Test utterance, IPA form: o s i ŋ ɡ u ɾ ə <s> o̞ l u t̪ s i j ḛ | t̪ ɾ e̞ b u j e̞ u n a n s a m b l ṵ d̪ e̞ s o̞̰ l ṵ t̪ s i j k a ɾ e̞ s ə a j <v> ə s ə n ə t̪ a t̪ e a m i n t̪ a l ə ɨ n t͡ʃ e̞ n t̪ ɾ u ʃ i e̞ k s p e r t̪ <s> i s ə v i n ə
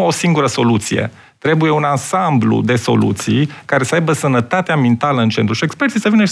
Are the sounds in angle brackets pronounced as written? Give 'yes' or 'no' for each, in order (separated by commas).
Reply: yes, no, yes